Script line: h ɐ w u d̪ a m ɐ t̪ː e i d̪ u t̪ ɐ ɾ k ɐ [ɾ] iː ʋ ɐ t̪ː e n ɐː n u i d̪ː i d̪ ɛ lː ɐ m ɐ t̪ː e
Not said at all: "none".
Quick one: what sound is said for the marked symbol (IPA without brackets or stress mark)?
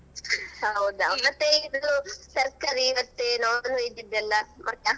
ɾ